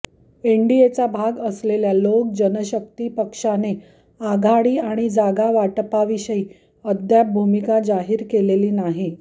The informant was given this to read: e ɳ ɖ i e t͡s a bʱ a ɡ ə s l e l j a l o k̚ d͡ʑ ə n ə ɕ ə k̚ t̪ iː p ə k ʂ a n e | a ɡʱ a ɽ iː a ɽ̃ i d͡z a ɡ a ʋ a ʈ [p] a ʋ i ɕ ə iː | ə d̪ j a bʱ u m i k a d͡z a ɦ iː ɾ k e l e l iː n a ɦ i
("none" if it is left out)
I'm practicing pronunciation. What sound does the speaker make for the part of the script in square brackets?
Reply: p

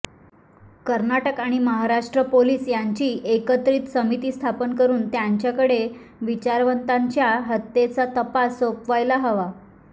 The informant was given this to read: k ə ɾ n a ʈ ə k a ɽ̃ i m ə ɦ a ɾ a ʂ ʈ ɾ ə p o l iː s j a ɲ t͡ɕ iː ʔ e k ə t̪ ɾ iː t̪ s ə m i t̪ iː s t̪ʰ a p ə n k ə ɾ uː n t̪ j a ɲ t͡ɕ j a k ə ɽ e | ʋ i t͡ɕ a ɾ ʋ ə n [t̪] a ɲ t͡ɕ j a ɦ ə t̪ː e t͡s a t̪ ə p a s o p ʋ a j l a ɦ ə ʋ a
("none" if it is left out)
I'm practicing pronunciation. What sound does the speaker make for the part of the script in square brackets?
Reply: t̪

